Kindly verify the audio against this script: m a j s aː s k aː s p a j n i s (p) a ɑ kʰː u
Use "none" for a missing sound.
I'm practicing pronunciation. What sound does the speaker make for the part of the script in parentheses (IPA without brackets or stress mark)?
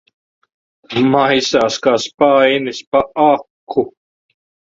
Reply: p